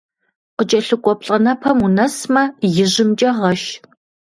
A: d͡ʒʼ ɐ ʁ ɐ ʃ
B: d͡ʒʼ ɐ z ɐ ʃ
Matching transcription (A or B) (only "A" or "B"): A